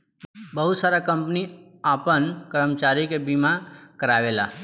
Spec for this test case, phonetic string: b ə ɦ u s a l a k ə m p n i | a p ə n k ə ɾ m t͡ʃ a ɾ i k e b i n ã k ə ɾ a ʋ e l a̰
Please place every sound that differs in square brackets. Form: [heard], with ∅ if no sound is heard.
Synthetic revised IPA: b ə ɦ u s a [ɾ] a k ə m p n i | a p ə n k ə ɾ m t͡ʃ a ɾ i k e b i [m] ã k ə ɾ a ʋ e l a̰